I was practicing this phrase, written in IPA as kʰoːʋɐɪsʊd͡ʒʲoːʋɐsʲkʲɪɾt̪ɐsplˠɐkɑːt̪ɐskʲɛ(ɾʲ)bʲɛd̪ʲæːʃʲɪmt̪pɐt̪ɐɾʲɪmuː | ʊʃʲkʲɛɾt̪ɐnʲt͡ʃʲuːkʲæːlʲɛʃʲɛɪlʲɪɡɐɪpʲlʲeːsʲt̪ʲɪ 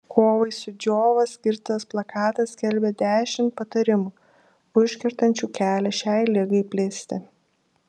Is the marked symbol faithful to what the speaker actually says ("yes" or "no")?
no